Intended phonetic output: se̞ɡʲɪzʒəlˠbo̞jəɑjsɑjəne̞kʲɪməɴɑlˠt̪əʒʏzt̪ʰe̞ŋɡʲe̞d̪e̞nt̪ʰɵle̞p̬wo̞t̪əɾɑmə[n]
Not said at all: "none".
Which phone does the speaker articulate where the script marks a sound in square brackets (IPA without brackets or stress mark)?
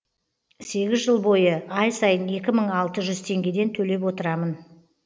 n